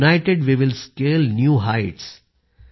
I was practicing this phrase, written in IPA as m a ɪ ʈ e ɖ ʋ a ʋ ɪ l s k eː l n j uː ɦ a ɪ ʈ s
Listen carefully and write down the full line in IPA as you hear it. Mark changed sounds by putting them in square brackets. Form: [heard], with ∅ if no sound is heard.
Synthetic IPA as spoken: [n] a ɪ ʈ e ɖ ʋ [i] ʋ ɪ l s k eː l n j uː ɦ a ɪ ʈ s